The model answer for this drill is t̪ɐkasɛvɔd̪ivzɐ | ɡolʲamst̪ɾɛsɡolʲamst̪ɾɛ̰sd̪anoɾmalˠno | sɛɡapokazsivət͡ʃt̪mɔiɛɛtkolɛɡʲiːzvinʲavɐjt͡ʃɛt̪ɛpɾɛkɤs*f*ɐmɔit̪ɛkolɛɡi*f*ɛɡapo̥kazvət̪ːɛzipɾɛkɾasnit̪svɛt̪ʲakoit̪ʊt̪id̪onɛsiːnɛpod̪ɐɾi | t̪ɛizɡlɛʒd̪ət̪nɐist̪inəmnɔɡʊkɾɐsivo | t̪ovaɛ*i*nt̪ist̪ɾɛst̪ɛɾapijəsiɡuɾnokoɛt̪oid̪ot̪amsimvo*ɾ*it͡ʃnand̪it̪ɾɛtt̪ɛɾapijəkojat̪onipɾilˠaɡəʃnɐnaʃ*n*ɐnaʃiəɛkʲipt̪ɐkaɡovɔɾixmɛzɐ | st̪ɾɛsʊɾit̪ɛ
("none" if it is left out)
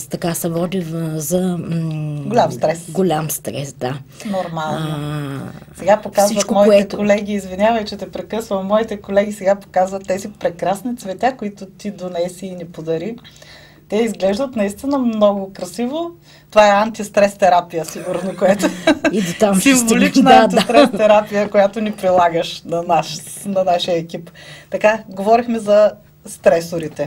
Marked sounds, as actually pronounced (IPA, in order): v, s, a, l, n

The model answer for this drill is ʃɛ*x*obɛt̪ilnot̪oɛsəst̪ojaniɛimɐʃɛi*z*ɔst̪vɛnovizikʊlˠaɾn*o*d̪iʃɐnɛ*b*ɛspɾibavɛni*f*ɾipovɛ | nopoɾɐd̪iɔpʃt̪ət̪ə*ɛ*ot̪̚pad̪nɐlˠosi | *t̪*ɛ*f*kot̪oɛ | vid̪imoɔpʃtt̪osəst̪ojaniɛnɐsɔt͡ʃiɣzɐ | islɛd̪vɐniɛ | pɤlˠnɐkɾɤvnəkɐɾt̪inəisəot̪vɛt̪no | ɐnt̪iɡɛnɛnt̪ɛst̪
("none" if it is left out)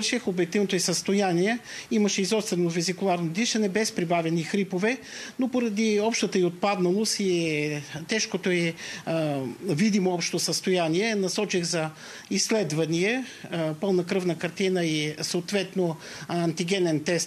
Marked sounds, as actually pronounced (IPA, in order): x, z, o, b, x, i, t̪, ʃ

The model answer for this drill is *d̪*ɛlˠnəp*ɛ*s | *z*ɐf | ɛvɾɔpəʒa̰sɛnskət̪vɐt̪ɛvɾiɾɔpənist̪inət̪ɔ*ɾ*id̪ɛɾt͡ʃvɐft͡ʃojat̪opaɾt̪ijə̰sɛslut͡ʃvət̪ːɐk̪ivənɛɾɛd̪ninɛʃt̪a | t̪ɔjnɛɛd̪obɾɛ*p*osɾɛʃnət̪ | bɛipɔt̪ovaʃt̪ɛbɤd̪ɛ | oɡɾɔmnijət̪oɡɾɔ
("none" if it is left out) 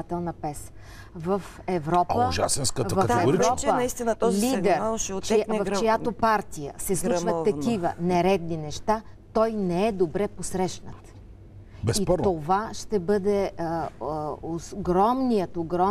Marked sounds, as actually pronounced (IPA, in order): t̪, ɛ, v, l, p

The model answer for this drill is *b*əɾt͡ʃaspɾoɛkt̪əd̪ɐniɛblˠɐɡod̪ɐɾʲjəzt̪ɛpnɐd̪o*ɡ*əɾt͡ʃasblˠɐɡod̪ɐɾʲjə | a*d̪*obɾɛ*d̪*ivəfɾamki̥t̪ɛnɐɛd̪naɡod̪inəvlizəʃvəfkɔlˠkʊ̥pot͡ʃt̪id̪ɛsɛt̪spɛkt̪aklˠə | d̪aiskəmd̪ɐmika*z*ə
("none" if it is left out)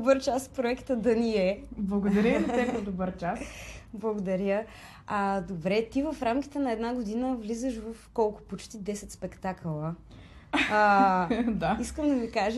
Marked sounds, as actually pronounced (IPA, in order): b, b, d̪, t̪, ʒ

